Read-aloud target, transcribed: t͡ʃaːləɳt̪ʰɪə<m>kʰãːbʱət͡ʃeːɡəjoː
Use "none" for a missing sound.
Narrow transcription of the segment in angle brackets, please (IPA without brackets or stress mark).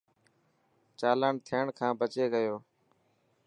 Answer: ɳ